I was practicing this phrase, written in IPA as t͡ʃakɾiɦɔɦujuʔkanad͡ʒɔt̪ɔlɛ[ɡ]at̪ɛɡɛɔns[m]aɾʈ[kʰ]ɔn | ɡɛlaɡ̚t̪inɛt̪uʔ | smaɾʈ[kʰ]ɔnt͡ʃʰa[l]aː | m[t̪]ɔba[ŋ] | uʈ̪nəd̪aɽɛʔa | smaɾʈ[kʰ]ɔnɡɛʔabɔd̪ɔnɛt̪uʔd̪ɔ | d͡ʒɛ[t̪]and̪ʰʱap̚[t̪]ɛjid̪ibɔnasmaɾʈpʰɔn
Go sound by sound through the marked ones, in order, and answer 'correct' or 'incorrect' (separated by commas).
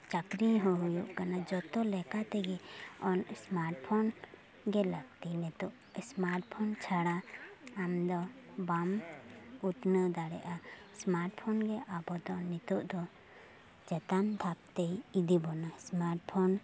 incorrect, correct, incorrect, incorrect, incorrect, incorrect, incorrect, incorrect, correct, correct